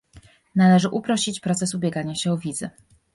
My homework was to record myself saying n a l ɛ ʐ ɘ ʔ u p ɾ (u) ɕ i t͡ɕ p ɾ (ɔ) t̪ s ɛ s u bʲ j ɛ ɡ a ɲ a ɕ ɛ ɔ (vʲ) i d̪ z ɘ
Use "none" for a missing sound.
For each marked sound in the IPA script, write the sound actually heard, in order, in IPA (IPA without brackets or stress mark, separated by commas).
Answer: ɔ, ɔ, vʲ